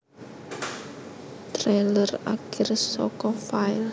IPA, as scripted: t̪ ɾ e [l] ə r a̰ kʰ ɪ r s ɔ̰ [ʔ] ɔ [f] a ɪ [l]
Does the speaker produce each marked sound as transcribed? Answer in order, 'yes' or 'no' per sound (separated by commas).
yes, no, yes, yes